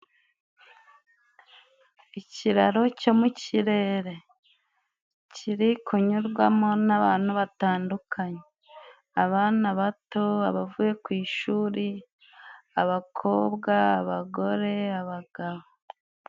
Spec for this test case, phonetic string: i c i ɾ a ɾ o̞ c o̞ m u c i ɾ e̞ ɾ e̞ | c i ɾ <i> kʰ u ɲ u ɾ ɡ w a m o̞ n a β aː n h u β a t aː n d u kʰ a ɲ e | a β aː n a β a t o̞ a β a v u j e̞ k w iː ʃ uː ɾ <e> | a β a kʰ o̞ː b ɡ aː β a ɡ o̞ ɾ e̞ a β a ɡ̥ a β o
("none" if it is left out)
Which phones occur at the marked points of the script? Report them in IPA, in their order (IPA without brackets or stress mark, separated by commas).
i, i